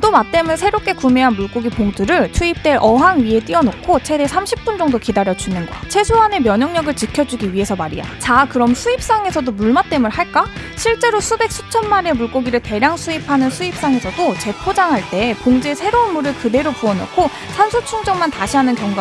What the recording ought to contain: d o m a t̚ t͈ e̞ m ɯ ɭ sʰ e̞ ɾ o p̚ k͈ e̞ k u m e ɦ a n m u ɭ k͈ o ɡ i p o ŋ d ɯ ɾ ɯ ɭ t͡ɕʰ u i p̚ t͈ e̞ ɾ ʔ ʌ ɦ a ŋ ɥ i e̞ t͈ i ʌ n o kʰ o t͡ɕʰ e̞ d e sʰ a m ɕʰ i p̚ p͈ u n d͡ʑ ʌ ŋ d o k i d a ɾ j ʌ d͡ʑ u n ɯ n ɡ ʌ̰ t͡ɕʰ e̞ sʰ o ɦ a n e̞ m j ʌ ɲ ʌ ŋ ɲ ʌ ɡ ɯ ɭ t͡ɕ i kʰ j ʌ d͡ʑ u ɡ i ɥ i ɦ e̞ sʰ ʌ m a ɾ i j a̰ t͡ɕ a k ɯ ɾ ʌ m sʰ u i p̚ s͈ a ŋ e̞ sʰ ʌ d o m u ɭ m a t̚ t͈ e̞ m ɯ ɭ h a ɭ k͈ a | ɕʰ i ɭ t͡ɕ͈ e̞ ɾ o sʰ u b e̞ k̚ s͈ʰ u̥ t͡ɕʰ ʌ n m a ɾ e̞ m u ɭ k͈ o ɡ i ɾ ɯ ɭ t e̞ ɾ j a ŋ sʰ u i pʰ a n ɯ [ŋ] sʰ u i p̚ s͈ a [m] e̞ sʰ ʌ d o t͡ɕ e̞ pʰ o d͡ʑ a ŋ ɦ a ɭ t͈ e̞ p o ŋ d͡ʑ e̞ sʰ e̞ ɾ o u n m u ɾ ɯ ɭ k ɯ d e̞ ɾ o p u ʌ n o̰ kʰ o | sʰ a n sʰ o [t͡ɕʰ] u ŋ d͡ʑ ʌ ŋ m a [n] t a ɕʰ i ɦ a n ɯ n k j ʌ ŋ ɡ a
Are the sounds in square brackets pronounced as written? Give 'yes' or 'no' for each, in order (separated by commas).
no, no, yes, yes